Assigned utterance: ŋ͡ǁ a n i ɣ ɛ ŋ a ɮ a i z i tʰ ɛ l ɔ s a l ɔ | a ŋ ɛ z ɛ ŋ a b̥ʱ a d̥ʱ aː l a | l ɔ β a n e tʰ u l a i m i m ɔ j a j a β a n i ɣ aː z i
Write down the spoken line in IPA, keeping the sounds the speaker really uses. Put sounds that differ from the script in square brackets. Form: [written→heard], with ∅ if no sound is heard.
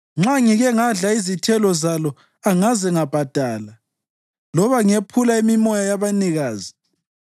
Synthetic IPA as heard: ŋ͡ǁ a [n→ŋ] i ɣ ɛ ŋ a ɮ a i z i tʰ ɛ l ɔ [s→z] a l ɔ | a ŋ [ɛ→a] z ɛ ŋ a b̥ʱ a d̥ʱ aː l a | l ɔ β a [n→ŋ] e [tʰ→pʰ] u l a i m i m ɔ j a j a β a n i ɣ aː z i